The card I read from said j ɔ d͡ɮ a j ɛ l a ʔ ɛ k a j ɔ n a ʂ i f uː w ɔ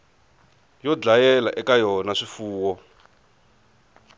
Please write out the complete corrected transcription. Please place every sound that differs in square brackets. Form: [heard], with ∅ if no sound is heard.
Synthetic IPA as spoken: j ɔ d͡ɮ a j ɛ l a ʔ ɛ k a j ɔ n a ʂ i f uː w ɔ